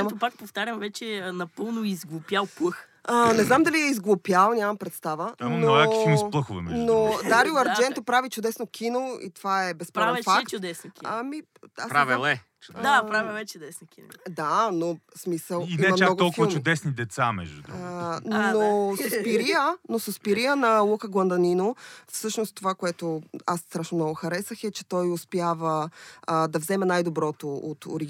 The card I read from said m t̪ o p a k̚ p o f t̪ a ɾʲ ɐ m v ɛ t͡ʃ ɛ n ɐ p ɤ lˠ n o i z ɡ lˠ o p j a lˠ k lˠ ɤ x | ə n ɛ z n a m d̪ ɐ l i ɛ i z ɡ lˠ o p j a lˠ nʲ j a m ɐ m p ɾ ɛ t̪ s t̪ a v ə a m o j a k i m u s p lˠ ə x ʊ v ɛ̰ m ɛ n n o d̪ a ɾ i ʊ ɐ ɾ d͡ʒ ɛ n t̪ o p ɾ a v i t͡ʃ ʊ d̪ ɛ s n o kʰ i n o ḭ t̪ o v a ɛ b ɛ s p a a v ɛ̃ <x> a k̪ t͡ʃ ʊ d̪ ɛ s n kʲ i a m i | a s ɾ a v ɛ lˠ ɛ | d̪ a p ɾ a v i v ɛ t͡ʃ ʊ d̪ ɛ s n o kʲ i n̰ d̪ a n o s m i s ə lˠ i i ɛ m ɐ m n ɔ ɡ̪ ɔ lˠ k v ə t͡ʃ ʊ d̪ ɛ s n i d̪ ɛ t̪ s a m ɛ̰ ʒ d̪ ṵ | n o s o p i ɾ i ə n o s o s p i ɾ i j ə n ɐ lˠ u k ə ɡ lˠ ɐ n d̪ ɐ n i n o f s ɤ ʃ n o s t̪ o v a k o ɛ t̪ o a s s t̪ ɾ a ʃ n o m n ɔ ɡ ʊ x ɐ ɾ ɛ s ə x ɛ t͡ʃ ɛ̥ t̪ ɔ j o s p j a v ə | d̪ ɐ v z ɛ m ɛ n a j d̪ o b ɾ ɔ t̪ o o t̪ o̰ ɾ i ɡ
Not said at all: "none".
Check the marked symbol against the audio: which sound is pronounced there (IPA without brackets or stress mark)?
f